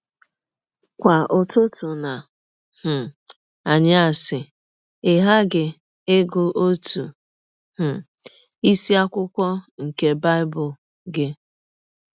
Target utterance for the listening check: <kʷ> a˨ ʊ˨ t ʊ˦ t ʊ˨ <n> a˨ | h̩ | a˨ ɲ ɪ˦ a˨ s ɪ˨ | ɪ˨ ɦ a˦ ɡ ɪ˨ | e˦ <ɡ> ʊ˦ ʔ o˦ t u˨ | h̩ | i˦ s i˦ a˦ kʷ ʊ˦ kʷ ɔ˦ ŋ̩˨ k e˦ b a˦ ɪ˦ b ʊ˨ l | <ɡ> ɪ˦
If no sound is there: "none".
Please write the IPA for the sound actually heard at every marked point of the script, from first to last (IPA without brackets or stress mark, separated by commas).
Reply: kʷ, n, ɡ, ɡ